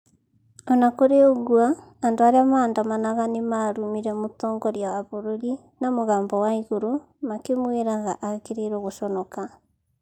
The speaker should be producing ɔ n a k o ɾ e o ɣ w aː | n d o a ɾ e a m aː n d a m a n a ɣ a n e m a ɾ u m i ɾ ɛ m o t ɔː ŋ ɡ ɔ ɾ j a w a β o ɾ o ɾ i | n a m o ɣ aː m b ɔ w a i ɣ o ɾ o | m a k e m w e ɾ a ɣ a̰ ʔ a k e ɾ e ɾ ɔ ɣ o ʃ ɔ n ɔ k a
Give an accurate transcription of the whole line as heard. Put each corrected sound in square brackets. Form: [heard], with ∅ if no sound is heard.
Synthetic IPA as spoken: ɔ n a k o ɾ e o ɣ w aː | n d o a ɾ e a m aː n d a m a n a ɣ a n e m a ɾ u m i ɾ ɛ m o t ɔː ŋ ɡ ɔ ɾ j a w a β o ɾ o ɾ i | n a m o ɣ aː m b ɔ w a i ɣ o ɾ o | m a k e m w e ɾ a ɣ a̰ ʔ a k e ɾ e ɾ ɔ ɣ o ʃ ɔ n ɔ k a